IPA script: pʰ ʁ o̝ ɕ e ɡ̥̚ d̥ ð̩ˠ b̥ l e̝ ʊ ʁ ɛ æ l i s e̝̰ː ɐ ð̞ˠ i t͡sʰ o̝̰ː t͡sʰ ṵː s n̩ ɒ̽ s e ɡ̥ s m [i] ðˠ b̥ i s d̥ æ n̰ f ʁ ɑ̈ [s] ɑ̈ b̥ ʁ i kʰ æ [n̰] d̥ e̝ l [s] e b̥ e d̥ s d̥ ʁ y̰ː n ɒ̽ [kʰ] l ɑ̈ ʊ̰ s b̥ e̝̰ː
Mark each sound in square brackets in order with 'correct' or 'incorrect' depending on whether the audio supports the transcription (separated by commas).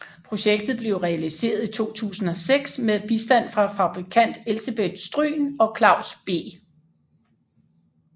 incorrect, incorrect, correct, correct, correct